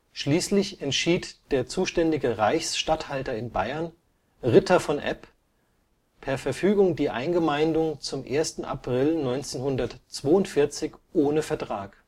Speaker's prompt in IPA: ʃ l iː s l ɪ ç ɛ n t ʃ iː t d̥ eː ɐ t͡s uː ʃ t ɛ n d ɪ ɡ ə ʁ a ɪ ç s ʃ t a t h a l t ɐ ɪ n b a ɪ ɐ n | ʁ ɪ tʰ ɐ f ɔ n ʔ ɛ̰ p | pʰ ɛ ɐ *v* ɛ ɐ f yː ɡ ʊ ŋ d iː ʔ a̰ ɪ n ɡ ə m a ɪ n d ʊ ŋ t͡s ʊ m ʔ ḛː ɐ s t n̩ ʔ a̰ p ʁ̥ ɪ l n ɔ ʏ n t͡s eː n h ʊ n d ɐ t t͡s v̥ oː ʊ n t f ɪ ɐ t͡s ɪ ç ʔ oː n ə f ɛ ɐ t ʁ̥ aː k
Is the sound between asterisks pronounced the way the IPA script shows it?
no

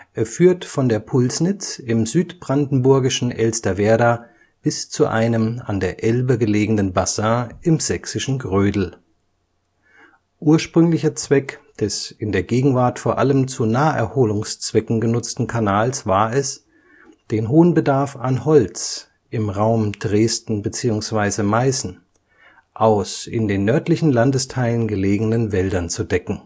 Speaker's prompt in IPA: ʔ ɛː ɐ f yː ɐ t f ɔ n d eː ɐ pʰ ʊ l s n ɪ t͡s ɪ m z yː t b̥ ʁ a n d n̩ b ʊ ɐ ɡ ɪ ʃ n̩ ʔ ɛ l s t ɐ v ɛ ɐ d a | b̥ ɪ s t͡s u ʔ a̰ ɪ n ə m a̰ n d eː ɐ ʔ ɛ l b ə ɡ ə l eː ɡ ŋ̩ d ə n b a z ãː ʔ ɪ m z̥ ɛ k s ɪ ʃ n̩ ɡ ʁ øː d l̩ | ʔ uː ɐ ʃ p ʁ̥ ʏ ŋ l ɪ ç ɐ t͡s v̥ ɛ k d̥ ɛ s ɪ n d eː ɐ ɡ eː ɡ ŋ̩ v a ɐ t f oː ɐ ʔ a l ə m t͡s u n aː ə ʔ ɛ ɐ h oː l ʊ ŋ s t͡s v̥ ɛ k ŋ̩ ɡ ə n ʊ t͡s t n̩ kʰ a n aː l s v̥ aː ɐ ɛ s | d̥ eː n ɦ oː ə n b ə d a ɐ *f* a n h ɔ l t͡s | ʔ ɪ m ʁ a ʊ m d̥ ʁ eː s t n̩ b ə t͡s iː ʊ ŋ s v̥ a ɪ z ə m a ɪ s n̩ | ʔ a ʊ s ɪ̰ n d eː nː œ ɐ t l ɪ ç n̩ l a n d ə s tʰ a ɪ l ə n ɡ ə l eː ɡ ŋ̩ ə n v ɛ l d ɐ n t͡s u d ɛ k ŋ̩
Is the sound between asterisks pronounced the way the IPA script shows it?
yes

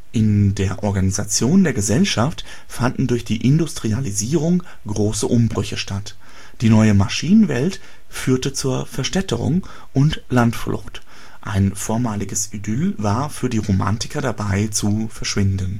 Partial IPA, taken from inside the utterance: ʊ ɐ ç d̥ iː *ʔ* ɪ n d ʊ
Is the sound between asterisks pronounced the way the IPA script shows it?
yes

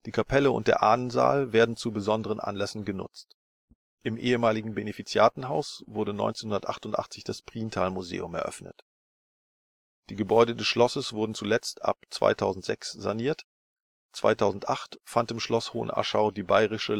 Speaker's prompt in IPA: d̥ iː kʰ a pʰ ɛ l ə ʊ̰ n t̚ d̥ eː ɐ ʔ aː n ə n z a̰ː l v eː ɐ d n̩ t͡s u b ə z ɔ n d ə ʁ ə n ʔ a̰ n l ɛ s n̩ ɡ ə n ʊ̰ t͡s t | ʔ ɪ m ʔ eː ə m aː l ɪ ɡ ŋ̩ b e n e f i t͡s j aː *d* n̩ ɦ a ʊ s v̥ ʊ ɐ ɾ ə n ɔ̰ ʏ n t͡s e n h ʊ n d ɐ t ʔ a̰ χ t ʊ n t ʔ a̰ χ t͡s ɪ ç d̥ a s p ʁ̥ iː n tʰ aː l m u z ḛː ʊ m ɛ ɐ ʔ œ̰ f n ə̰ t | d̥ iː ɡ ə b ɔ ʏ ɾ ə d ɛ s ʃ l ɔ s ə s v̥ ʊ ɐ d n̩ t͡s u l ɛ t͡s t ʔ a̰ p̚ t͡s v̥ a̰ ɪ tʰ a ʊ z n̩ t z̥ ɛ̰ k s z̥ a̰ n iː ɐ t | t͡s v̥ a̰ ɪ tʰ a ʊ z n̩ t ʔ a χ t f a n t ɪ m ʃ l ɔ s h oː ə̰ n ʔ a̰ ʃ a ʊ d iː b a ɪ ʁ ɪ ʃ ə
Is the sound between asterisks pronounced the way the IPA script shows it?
no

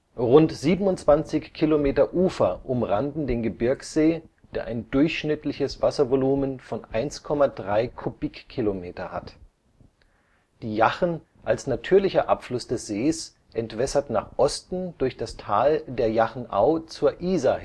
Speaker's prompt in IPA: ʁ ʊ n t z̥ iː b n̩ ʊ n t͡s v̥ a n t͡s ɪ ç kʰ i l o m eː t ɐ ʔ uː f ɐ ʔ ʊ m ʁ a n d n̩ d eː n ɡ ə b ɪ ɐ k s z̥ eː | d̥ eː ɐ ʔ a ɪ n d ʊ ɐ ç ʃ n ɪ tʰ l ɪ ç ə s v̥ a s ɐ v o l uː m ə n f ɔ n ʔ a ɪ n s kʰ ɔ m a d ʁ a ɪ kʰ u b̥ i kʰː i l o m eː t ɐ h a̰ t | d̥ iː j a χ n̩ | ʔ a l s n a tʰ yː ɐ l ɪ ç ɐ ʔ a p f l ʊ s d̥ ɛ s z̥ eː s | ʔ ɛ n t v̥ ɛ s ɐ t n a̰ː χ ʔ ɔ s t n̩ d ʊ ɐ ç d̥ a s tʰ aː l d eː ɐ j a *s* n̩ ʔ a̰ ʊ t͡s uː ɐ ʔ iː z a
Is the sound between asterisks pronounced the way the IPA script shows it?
no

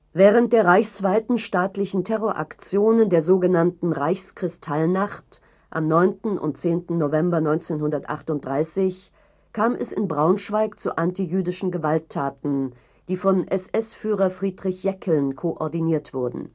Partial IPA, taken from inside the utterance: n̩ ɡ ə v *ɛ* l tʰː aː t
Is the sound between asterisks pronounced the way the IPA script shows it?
no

